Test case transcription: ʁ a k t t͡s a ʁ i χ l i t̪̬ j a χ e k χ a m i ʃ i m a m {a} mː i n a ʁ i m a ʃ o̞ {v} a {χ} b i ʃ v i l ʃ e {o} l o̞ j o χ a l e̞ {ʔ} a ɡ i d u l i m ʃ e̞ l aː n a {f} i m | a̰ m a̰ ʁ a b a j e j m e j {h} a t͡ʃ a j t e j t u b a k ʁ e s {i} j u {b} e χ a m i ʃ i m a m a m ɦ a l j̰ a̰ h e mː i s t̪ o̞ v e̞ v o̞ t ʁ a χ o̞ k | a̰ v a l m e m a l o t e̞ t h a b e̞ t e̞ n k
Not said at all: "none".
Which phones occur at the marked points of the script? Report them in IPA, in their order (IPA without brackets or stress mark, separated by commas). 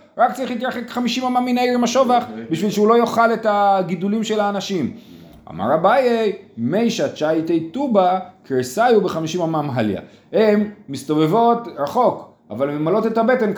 a, v, χ, u, t, ʃ, ʃ, a, b